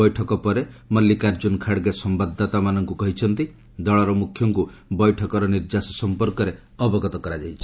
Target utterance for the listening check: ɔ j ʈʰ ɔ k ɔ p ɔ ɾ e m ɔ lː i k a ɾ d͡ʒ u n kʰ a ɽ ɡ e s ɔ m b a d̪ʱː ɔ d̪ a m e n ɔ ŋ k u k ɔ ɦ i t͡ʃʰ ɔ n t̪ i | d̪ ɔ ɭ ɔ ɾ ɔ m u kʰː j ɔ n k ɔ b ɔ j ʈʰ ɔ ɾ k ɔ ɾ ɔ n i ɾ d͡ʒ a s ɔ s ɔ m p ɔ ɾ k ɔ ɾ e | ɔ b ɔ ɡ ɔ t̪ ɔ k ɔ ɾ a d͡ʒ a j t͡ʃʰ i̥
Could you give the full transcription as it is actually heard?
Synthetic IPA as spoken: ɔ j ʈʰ ɔ k ɔ p ɔ ɾ e m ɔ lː i k a ɾ d͡ʒ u n kʰ a ɽ ɡ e s ɔ m b a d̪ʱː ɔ t̪ a m a n ɔ ŋ k u k ɔ ɦ i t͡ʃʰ ɔ n t̪ i | d̪ ɔ ɭ ɔ ɾ ɔ m u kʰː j ɔ ŋ k u b ɔ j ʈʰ ɔ k ɔ ɾ ɔ n i ɾ d͡ʒ a s ɔ s ɔ m p ɔ ɾ k ɔ ɾ e | ɔ b ɔ ɡ ɔ t̪ ɔ k ɔ ɾ a d͡ʒ a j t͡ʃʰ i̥

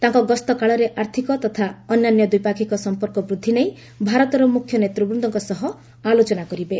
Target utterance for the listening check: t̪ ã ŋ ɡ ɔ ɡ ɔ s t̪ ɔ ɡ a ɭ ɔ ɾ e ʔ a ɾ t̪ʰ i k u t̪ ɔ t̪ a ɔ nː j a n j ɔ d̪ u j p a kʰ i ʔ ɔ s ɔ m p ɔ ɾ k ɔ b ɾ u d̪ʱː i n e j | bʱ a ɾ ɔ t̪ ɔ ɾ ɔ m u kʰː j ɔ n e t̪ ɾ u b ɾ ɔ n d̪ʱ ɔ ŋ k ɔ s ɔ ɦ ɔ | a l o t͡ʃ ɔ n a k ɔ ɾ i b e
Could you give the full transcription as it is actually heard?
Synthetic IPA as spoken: t̪ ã ŋ k ɔ ɡ ɔ s t̪ ɔ k a ɭ ɔ ɾ e ʔ a ɾ t̪ʰ i k ɔ t̪ ɔ t̪ʰ a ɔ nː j a n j ɔ d̪ u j p a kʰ i k ɔ s ɔ m p ɔ ɾ k ɔ b ɾ u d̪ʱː i n e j | bʱ a ɾ ɔ t̪ ɔ ɾ ɔ m u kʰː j ɔ n e t̪ ɾ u b ɾ u n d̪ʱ ɔ ŋ k ɔ s ɔ ɦ ɔ | a l o t͡ʃ ɔ n a k ɔ ɾ i b e

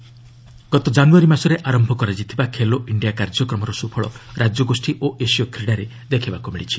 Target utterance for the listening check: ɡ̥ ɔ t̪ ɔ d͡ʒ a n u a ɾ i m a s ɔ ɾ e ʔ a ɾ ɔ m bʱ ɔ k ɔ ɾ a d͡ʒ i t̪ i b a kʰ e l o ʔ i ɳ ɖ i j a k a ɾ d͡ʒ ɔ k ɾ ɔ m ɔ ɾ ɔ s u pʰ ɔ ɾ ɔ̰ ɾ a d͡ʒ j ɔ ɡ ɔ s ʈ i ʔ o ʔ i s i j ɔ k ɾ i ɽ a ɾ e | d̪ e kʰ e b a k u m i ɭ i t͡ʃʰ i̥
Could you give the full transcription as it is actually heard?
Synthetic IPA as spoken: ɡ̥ ɔ t̪ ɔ d͡ʒ a n u a ɾ i m a s ɔ ɾ e ʔ a ɾ ɔ m bʱ ɔ k ɔ ɾ a d͡ʒ i t̪ʰ i b a kʰ e l o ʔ i ɳ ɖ i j a k a ɾ d͡ʒ ɔ k ɾ ɔ m ɔ ɾ ɔ s u pʰ ɔ ɭ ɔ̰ ɾ a d͡ʒ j ɔ ɡ o s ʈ i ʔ o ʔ e s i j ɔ k ɾ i ɽ a ɾ e | d̪ e kʰ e b a k u m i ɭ i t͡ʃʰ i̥

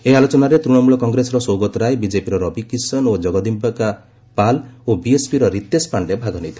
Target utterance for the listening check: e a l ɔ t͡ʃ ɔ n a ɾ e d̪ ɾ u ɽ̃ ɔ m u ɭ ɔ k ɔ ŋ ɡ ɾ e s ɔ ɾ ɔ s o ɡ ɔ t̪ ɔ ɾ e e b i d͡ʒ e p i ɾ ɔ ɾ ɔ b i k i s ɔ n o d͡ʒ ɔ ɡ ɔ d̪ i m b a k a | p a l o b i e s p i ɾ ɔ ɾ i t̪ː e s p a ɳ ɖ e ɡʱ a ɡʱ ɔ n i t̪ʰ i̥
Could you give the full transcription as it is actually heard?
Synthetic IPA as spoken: e a l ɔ t͡ʃ ɔ n a ɾ e t̪ ɾ u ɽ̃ ɔ m u ɭ ɔ k ɔ ŋ ɡ ɾ e s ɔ ɾ ɔ s o ɡ ɔ t̪ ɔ ɾ a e b i d͡ʒ e p i ɾ ɔ ɾ ɔ b i k i s ɔ n o d͡ʒ ɔ ɡ ɔ d̪ i m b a k a | p a l o b i e s p i ɾ ɔ ɾ i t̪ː e s p a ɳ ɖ e bʱ a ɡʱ ɔ n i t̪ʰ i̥

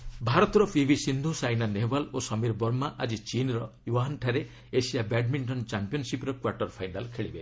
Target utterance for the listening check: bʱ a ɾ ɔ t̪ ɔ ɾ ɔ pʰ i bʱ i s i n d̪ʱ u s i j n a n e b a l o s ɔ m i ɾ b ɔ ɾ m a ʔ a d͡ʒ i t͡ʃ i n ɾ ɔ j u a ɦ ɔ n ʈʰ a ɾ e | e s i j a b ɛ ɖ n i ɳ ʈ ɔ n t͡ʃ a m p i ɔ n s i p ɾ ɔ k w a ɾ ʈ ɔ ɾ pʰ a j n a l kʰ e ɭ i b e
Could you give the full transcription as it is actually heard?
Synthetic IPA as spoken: bʱ a ɾ ɔ t̪ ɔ ɾ ɔ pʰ i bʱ i s i n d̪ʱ u s a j n a n e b a l o s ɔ m i ɾ b ɔ ɾ m a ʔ a d͡ʒ i t͡ʃ i n ɾ ɔ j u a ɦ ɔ n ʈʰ a ɾ e | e s i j a b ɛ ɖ m i ɳ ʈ ɔ n t͡ʃ a m p i ɔ n s i p ɾ ɔ k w a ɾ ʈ ɔ ɾ pʰ a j n a l kʰ e ɭ i b e

